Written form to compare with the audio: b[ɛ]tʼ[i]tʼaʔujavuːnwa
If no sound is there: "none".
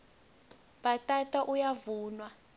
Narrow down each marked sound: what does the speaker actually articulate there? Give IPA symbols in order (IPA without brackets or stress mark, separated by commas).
a, a